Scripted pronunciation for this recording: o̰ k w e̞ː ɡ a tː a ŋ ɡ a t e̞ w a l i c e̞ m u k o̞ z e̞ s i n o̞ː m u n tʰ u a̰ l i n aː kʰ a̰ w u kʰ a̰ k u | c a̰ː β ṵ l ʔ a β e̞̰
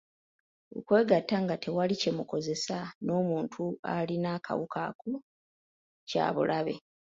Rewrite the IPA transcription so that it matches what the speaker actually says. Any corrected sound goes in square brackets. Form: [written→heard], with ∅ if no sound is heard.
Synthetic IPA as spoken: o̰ k w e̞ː ɡ a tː a ŋ ɡ a t e̞ w a l i c e̞ m u k o̞ z e̞ s [i→a] n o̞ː m [u→uː] n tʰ u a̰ l i n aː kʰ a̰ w u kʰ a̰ k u | c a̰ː β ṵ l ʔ a β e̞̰